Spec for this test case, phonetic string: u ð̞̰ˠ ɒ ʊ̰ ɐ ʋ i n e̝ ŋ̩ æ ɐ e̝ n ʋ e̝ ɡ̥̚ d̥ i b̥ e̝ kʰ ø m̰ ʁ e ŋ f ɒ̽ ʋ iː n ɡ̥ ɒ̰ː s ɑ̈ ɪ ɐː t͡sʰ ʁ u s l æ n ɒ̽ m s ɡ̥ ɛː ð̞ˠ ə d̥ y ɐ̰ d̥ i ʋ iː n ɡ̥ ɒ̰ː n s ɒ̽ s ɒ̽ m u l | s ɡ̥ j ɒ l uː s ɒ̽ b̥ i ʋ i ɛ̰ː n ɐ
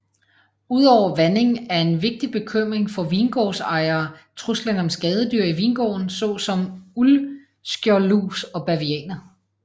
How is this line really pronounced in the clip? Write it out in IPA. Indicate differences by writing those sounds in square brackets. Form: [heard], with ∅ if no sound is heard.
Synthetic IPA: u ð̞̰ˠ ɒ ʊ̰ ɐ ʋ [æ] n e̝ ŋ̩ æ ɐ e̝ n ʋ e̝ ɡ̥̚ d̥ i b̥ e̝ kʰ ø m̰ ʁ e ŋ f ɒ̽ ʋ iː n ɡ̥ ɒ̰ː s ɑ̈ ɪ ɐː t͡sʰ ʁ u s l æ n ɒ̽ m s ɡ̥ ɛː ð̞ˠ ə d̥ y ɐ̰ [∅] i ʋ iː n ɡ̥ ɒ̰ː n s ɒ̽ s ɒ̽ m u l | s ɡ̥ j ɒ l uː s ɒ̽ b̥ [æ] ʋ i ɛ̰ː n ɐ